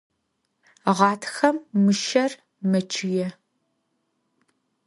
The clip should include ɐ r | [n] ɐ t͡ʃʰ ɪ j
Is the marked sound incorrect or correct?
incorrect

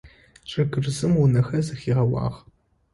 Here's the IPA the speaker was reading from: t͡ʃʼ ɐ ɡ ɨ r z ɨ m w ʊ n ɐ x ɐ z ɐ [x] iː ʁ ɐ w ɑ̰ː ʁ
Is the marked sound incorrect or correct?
correct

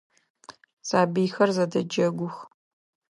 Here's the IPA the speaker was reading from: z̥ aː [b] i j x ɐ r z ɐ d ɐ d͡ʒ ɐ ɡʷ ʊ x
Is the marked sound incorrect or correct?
correct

